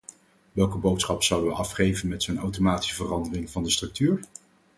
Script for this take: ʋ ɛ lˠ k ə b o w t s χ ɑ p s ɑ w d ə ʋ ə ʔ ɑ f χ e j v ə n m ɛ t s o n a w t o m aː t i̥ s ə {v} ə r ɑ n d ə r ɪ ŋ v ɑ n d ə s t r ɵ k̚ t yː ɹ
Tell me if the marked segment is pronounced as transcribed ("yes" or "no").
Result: yes